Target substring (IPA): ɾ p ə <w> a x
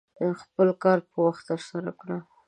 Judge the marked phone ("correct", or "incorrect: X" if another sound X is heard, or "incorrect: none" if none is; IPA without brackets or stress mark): correct